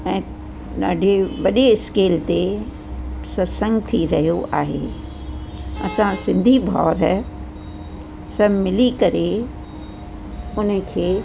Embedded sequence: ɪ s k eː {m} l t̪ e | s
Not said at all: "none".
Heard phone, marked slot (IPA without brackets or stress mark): none